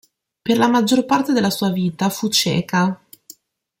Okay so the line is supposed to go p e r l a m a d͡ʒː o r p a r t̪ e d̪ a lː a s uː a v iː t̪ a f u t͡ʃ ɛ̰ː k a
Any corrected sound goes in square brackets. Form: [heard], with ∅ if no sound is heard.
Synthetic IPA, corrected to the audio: p e r l a m a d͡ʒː o r p a r t̪ e d̪ [e] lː a s uː a v iː t̪ a f u t͡ʃ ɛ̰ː k a